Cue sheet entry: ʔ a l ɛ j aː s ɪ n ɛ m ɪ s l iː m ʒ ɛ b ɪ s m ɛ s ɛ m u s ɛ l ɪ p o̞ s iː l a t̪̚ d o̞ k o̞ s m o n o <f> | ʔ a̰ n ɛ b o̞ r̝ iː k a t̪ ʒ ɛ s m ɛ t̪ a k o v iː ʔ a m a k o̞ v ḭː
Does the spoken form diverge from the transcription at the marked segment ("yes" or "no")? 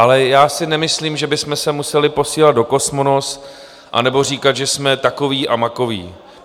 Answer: yes